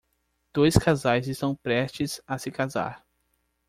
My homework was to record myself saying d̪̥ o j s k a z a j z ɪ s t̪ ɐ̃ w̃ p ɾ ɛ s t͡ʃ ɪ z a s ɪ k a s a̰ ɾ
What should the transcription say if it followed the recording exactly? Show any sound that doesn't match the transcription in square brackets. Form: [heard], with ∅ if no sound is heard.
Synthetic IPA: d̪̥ o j s k a z a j z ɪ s t̪ ɐ̃ w̃ p ɾ ɛ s t͡ʃ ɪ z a s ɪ k a [z] a̰ ɾ